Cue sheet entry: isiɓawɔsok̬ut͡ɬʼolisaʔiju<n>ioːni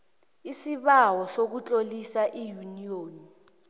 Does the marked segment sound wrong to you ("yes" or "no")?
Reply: no